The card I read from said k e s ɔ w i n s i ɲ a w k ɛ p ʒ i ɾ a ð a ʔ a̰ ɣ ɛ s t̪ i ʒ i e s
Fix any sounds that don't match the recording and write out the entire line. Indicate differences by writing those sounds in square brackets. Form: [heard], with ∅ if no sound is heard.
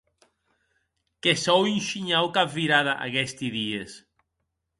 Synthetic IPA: k e s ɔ w i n [ʃ] i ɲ a w k [a] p [v] i ɾ a ð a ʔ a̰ ɣ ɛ s t̪ i [ð] i e s